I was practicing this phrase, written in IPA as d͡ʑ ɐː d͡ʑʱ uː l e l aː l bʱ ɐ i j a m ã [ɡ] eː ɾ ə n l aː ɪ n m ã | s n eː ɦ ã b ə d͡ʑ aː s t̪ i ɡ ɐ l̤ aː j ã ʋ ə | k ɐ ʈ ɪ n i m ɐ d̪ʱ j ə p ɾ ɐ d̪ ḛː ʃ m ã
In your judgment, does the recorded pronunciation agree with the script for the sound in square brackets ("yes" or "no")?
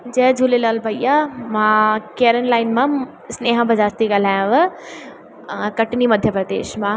no